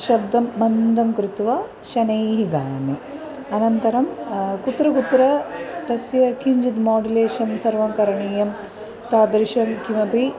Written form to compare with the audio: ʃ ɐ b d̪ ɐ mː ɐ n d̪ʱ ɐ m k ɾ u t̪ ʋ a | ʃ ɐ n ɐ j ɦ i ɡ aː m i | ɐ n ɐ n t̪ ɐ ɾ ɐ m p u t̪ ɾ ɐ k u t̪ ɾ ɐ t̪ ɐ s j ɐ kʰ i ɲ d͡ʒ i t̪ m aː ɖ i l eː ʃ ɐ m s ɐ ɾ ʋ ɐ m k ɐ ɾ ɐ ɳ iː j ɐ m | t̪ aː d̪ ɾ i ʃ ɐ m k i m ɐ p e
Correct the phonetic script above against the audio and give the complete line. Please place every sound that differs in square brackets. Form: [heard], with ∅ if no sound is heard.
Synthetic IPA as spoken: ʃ ɐ b d̪ ɐ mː ɐ n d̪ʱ ɐ m k ɾ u t̪ ʋ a | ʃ ɐ n ɐ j ɦ i ɡ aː m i | ɐ n ɐ n t̪ ɐ ɾ ɐ m [k] u t̪ ɾ ɐ k u t̪ ɾ ɐ t̪ ɐ s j ɐ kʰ i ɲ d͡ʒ i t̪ m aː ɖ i l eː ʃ ɐ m s ɐ ɾ ʋ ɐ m k ɐ ɾ ɐ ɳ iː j ɐ m | t̪ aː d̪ ɾ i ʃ ɐ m k i m ɐ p [i]